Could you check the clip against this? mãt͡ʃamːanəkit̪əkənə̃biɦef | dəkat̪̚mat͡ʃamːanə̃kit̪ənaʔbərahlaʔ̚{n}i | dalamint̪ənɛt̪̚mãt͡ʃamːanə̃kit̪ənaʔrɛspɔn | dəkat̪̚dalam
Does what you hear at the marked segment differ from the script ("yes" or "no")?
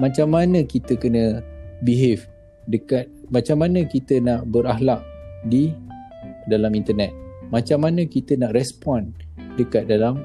yes